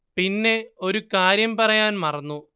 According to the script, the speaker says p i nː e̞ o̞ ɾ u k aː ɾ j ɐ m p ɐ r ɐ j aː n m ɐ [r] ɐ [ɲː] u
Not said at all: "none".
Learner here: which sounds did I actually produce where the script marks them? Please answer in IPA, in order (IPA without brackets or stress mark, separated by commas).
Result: r, nː